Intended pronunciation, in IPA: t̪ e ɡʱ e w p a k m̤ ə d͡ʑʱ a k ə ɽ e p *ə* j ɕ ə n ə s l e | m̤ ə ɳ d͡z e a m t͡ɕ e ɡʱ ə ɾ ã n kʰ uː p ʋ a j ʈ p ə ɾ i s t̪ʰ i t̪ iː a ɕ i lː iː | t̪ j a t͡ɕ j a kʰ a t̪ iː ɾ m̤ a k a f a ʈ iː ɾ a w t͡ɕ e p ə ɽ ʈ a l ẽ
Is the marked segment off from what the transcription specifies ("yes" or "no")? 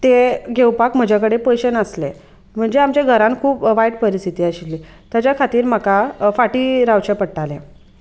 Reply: no